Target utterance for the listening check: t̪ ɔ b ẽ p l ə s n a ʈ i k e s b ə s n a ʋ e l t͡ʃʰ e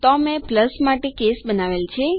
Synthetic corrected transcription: t̪ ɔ m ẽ p l ə s m a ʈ e k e s b ə n a ʋ e l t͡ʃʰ e